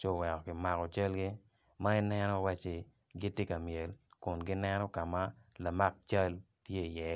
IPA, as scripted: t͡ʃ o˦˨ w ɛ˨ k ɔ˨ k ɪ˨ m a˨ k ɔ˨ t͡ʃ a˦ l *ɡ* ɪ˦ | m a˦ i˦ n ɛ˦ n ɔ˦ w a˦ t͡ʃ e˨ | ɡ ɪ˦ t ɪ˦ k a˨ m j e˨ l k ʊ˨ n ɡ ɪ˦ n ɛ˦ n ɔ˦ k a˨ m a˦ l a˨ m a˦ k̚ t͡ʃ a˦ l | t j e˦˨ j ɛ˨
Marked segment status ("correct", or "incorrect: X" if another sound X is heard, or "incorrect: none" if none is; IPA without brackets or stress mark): correct